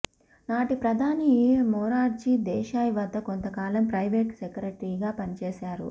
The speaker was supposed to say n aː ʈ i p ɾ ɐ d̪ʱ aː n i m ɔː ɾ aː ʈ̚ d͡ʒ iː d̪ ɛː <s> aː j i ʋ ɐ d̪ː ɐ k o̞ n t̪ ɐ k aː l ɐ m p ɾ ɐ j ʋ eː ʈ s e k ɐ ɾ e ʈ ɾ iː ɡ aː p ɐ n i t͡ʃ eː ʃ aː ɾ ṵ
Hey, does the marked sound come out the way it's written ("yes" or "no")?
no